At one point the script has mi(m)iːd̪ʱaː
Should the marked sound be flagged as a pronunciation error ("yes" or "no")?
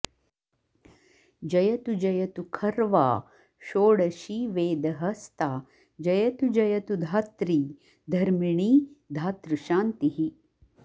yes